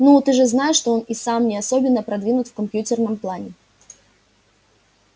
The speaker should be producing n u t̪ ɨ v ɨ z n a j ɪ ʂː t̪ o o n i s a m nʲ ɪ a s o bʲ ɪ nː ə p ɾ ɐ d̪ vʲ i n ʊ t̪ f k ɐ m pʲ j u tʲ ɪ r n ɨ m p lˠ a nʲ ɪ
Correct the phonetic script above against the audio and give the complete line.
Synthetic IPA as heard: n u t̪ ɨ ʐ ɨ z n a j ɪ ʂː t̪ o o n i s a m nʲ ɪ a s o bʲ ɪ nː ə p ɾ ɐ d̪ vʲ i n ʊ t̪ f k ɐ m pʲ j u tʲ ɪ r n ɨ m p lˠ a nʲ ɪ